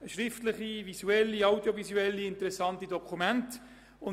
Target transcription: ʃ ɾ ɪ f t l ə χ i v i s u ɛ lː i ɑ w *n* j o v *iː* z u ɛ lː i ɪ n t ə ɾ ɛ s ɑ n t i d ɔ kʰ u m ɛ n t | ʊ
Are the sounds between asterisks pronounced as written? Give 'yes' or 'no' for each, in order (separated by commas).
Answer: no, no